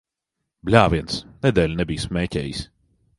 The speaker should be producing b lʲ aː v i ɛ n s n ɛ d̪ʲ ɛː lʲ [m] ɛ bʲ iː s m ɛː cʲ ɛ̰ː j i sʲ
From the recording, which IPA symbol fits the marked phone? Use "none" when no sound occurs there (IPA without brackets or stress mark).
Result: n